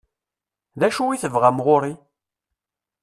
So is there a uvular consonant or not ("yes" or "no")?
yes